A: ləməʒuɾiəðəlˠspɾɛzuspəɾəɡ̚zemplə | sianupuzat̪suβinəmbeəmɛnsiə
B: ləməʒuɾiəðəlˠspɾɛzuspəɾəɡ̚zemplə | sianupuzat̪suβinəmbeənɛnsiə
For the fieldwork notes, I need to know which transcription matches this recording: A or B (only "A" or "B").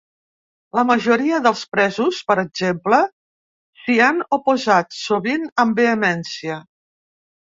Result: A